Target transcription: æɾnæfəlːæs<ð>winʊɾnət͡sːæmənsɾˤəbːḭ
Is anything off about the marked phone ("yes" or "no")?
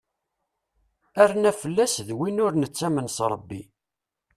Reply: no